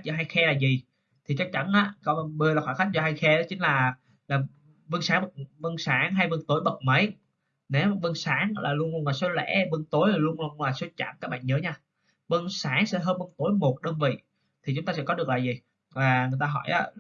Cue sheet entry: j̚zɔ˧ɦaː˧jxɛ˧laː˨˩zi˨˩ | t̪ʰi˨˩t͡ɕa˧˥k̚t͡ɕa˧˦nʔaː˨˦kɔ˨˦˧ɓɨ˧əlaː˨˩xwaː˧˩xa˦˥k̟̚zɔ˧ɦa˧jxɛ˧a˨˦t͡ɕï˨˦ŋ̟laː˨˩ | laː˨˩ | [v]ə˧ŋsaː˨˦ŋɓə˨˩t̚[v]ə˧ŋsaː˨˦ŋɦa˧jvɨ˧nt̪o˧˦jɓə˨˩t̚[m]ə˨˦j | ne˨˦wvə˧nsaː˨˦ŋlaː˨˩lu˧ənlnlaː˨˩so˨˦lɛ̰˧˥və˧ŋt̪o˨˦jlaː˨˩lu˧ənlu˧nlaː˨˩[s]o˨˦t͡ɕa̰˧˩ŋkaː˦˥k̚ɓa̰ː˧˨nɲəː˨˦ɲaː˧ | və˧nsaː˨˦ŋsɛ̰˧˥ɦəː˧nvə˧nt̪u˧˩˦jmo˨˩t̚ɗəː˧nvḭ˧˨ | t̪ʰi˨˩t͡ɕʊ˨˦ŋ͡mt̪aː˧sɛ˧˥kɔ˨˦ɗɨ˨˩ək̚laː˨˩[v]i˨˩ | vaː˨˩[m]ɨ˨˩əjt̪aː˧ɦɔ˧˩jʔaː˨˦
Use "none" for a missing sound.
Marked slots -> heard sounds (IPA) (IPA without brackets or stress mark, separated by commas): v, v, m, s, z, ŋ